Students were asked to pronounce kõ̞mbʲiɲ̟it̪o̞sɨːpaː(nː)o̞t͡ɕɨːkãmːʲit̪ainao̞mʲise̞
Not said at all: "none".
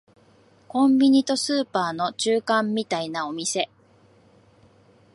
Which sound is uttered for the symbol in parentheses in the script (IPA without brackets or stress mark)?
n